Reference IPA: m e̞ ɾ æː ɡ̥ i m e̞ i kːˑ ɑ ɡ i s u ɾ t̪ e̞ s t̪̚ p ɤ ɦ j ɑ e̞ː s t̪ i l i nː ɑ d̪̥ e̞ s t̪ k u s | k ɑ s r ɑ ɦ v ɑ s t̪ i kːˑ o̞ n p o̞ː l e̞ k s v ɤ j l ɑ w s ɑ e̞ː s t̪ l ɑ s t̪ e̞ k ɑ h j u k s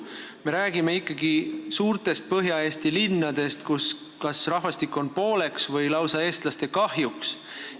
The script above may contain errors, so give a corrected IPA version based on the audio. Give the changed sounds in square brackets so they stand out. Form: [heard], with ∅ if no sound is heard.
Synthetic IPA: m e̞ ɾ æː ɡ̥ i m e̞ i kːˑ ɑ ɡ i s [uː] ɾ t̪ e̞ s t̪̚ p ɤ ɦ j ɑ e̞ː s t̪ i l i nː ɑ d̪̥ e̞ s t̪ k u s | k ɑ s r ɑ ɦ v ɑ s t̪ i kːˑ o̞ n p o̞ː l e̞ k s v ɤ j l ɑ w s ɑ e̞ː s t̪ l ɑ s t̪ e̞ k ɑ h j u k s